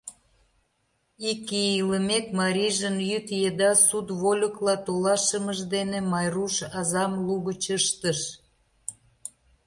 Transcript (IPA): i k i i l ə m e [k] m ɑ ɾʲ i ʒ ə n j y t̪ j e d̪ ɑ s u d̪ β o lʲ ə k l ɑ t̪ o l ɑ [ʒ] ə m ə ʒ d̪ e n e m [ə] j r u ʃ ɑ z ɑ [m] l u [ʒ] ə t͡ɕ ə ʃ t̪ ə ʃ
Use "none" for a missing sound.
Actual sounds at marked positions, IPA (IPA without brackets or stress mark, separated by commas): k, ʃ, ɑ, m, ɣ